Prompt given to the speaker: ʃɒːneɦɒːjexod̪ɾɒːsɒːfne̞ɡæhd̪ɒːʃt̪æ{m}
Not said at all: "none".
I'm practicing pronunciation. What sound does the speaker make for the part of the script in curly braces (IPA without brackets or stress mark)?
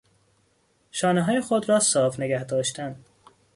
n